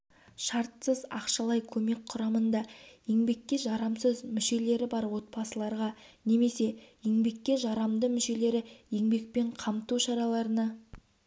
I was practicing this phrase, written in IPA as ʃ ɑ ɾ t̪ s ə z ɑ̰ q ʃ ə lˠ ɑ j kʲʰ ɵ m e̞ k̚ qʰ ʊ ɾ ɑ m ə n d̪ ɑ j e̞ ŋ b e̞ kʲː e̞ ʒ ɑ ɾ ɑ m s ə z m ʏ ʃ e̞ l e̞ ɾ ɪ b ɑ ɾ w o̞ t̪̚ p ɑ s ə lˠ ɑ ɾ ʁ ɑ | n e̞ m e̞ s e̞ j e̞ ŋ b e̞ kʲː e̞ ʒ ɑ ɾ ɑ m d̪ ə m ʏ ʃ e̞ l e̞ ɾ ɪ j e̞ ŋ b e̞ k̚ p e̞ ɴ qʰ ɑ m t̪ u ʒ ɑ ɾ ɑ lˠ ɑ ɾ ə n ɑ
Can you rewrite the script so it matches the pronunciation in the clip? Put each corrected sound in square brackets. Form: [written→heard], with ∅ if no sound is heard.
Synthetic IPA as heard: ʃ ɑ ɾ t̪ s ə z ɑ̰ q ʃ [ə→ɑ] lˠ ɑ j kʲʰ ɵ m e̞ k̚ qʰ ʊ ɾ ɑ m ə n d̪ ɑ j e̞ ŋ b e̞ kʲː e̞ ʒ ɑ ɾ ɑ m s ə z m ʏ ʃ e̞ l e̞ ɾ ɪ b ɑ ɾ w o̞ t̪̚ p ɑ s ə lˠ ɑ ɾ ʁ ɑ | n e̞ m e̞ s e̞ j e̞ ŋ b e̞ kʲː e̞ ʒ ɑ ɾ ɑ m d̪ ə m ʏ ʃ e̞ l e̞ ɾ ɪ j e̞ ŋ b e̞ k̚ p e̞ ɴ qʰ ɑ m t̪ u [ʒ→ʃ] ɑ ɾ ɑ lˠ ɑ ɾ ə n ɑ